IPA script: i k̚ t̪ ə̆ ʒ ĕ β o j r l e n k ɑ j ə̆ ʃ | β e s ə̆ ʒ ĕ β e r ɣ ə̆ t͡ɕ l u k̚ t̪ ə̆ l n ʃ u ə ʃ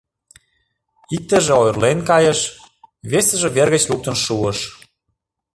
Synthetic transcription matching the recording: i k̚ t̪ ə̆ ʒ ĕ o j r l e n k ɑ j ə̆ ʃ | β e s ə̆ ʒ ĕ β e r ɣ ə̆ t͡ɕ l u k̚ t̪ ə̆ n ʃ u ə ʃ